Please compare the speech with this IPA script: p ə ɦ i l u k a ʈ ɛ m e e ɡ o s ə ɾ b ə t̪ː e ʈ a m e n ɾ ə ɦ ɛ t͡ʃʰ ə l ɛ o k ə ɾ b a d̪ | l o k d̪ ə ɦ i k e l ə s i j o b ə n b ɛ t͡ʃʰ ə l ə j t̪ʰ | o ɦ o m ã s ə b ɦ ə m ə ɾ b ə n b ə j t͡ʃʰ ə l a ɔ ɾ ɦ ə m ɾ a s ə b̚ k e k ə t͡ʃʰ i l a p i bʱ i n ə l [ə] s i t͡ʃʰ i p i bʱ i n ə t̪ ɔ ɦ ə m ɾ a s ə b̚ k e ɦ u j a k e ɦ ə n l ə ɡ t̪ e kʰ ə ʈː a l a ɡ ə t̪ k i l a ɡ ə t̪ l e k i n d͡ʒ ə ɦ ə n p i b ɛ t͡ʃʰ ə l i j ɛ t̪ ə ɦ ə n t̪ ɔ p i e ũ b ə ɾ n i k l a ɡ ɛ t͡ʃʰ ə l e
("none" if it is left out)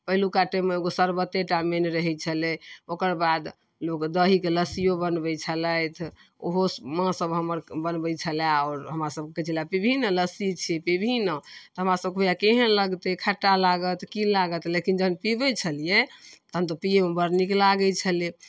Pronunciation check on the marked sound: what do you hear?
ə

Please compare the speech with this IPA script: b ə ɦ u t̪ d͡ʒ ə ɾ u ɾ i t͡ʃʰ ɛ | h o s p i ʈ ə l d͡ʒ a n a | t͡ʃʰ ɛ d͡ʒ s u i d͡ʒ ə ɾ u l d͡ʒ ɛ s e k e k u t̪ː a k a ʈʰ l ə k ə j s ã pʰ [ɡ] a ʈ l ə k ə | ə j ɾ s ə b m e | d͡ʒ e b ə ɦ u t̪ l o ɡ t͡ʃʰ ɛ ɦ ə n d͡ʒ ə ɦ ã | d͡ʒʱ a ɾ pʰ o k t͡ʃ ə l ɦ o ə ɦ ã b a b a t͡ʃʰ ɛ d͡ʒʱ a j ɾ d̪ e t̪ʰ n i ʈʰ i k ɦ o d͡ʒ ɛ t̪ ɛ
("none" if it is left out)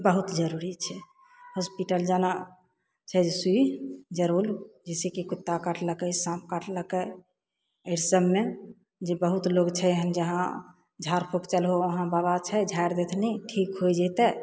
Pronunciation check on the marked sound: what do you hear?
k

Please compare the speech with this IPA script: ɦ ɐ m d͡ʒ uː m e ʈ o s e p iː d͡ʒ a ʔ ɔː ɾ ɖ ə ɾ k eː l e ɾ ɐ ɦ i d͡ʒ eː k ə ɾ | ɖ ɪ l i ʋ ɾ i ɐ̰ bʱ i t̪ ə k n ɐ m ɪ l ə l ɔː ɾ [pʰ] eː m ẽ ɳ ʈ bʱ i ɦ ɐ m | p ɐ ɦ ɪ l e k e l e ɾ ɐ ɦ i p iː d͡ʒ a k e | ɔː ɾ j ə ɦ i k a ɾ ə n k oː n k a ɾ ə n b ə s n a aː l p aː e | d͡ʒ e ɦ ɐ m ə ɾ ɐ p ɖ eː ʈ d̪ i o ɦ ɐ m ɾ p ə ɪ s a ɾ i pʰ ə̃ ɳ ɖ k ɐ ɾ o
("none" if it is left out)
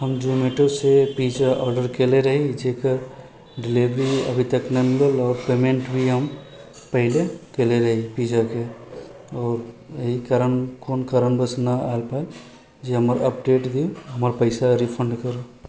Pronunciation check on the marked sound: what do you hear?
p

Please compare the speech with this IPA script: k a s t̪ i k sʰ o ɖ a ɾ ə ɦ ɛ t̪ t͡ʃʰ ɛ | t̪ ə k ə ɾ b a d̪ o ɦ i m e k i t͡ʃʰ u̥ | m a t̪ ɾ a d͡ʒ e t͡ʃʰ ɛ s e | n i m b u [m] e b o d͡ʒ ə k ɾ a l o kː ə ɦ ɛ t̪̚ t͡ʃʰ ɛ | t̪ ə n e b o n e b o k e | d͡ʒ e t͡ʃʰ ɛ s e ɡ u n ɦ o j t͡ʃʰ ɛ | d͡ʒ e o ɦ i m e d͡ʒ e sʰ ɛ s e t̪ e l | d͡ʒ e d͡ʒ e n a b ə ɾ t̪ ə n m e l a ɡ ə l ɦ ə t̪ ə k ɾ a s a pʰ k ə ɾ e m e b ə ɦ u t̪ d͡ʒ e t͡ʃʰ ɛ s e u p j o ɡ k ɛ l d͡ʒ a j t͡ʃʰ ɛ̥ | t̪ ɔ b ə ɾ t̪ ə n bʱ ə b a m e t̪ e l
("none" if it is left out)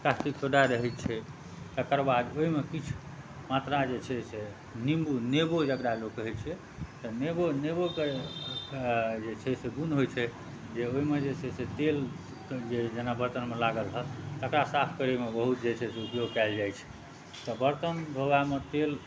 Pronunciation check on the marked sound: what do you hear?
n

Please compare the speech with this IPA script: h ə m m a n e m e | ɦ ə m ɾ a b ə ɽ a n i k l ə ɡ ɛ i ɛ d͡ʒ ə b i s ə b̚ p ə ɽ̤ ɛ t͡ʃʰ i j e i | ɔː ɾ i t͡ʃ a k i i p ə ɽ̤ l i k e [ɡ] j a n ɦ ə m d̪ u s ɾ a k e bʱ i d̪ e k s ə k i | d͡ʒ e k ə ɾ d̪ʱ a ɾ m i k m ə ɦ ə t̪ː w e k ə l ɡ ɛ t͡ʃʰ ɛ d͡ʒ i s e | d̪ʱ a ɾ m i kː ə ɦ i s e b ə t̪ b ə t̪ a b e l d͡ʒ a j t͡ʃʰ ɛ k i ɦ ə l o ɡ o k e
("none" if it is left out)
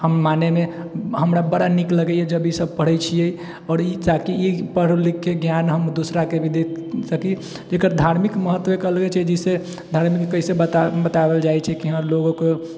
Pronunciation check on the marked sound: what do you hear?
ɡ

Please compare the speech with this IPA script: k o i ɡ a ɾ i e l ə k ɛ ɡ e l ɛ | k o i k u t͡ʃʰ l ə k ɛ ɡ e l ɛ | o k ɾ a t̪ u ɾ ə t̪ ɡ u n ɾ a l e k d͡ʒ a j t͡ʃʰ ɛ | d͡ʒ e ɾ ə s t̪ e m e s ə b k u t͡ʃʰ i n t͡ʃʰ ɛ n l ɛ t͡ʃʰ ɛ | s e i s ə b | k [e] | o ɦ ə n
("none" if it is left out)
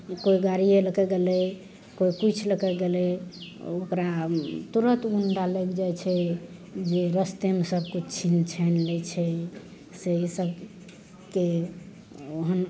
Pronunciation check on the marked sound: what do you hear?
e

